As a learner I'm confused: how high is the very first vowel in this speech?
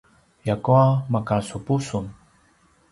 low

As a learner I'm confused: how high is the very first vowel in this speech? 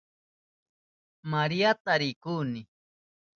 low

